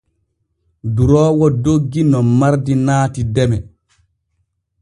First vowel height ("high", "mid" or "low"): high